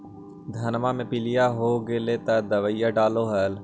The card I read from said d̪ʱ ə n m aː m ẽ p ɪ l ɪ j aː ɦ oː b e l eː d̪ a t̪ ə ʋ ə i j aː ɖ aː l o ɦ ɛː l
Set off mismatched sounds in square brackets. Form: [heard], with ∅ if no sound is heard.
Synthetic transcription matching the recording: d̪ʱ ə n m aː m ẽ p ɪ l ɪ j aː ɦ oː [ɡ] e l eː [t̪] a [d̪] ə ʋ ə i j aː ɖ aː l o ɦ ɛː l